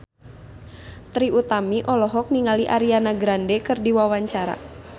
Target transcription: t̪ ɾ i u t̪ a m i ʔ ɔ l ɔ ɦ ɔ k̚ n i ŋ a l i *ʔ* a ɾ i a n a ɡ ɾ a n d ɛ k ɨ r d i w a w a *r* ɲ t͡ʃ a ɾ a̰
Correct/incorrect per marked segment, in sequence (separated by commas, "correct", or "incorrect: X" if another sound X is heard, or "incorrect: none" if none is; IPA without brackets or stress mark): correct, incorrect: none